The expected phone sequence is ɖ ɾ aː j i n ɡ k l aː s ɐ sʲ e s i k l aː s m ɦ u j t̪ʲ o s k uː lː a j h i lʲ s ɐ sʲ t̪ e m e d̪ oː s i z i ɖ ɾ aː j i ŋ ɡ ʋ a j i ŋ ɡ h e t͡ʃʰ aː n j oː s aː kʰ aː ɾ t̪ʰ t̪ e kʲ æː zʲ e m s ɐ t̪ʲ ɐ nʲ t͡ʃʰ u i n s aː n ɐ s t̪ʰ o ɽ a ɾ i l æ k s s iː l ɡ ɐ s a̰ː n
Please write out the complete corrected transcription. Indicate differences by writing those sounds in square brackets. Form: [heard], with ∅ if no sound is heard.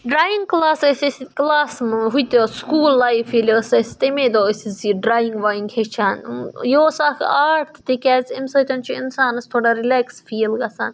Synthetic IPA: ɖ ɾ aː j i [ŋ] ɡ k l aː s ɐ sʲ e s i k l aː s m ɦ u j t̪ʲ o s k uː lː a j [f] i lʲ s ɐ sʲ t̪ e m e d̪ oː s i z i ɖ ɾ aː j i ŋ ɡ ʋ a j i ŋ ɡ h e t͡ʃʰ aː n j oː s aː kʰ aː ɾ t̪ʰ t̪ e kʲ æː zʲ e m s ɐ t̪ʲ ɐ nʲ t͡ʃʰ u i n s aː n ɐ s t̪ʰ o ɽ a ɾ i l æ k s [f] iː l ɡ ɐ s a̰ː n